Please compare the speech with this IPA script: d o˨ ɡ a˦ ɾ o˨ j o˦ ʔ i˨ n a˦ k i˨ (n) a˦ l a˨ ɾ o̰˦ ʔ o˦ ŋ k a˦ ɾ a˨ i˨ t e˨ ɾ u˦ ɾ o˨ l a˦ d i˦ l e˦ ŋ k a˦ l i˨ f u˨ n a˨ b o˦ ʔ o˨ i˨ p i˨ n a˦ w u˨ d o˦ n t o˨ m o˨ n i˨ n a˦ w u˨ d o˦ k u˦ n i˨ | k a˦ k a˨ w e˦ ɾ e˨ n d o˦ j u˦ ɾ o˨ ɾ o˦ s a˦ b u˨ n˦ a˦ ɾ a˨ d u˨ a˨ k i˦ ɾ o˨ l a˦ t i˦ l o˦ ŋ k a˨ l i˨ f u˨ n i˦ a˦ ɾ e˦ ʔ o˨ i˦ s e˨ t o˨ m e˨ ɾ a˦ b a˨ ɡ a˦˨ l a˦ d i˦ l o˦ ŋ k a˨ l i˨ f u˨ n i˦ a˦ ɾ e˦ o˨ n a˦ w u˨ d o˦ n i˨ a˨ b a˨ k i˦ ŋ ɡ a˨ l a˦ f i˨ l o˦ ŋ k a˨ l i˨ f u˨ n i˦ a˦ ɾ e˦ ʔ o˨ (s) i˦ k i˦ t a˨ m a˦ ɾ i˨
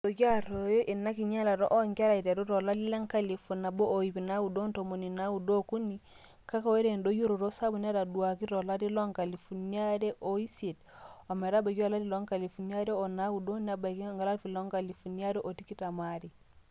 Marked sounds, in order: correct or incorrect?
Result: incorrect: ɲ, incorrect: t

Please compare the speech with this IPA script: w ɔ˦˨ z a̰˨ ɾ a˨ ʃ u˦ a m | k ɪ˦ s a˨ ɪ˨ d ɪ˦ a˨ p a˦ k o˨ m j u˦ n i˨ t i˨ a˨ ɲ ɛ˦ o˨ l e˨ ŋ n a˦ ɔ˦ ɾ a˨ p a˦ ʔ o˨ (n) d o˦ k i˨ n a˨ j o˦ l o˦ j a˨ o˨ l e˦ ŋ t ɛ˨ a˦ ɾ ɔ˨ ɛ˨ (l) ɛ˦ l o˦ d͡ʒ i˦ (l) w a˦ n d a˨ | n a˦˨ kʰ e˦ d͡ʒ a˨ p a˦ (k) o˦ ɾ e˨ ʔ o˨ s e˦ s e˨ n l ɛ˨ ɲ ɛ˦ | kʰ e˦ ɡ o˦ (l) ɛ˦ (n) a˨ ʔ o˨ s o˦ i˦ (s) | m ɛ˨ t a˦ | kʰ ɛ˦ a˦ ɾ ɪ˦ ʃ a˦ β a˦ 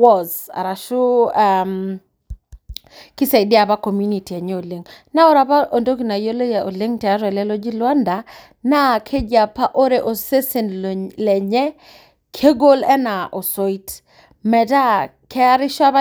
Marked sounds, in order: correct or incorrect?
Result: correct, correct, correct, incorrect: ʔ, correct, correct, incorrect: t

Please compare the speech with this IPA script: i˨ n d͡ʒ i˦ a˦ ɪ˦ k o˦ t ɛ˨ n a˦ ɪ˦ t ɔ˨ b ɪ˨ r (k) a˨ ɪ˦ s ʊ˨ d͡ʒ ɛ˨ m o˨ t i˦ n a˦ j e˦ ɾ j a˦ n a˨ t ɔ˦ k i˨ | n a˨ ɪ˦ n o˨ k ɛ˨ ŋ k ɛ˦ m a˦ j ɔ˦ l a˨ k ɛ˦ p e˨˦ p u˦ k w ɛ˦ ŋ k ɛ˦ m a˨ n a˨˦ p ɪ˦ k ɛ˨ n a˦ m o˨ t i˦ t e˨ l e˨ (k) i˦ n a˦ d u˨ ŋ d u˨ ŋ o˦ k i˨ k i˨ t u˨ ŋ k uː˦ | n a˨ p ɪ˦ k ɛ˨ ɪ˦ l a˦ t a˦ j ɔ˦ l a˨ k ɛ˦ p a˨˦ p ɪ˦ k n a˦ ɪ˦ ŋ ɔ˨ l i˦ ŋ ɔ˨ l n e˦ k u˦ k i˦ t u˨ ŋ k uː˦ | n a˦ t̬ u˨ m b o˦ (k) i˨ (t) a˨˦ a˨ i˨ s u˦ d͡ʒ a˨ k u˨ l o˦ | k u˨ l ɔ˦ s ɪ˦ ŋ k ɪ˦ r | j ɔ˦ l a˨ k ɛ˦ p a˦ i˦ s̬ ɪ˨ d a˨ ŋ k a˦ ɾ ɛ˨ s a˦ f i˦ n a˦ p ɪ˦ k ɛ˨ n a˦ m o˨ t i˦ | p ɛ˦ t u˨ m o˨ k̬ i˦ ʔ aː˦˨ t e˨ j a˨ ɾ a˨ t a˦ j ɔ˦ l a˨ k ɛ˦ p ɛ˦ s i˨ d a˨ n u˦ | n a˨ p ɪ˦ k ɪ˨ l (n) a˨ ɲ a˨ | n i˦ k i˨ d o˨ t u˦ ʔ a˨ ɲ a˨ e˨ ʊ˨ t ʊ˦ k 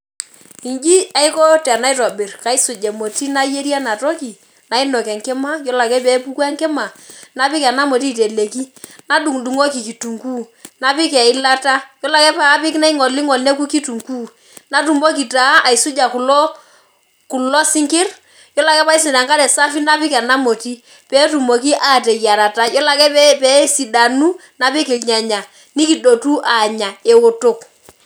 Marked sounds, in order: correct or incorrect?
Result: correct, correct, correct, correct, incorrect: ɲ

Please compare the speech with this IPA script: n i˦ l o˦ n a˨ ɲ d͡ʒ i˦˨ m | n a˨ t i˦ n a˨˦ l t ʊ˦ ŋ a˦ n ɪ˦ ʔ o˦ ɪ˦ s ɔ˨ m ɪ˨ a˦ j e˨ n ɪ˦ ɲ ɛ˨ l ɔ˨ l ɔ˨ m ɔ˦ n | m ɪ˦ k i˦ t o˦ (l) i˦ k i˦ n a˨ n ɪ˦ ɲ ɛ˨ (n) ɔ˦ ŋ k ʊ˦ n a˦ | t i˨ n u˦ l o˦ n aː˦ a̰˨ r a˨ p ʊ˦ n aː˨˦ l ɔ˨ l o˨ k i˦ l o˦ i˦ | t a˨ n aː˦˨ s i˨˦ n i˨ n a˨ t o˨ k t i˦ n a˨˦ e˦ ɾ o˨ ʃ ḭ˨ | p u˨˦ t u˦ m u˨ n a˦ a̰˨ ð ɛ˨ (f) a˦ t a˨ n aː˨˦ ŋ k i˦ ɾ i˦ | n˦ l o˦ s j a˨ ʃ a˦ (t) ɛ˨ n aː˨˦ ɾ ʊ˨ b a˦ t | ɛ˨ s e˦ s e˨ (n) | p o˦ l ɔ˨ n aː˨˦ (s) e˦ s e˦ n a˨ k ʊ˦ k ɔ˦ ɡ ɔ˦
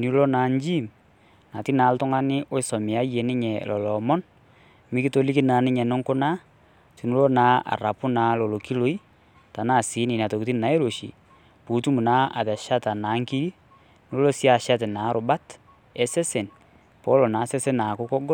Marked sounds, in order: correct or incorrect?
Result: correct, correct, incorrect: ʃ, correct, correct, correct

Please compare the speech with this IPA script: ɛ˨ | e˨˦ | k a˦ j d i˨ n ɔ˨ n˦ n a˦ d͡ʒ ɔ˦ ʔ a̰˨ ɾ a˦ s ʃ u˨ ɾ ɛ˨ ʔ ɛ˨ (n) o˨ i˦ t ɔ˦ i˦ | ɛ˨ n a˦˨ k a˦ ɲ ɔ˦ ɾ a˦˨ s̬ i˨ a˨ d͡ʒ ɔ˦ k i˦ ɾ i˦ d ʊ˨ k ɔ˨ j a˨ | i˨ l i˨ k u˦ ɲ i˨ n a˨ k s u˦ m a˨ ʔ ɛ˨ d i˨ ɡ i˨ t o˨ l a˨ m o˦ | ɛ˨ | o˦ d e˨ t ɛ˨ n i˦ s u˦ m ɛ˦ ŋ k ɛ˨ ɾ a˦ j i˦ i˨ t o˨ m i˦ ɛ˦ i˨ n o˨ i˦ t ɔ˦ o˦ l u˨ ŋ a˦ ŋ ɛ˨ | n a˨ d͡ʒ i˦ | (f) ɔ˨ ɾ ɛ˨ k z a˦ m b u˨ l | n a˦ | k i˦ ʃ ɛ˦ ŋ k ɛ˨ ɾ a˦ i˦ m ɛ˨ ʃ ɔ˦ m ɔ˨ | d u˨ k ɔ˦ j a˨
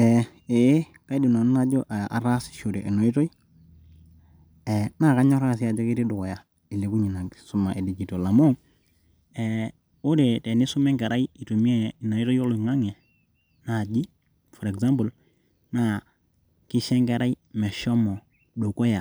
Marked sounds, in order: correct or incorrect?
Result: correct, correct

